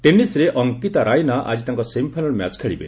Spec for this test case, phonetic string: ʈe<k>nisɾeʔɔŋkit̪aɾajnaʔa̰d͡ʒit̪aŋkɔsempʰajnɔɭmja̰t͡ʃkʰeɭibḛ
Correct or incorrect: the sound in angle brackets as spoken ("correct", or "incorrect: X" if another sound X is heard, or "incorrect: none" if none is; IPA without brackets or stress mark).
incorrect: none